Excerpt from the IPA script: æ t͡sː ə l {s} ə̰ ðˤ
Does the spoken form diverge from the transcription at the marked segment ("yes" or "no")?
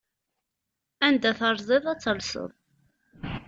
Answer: no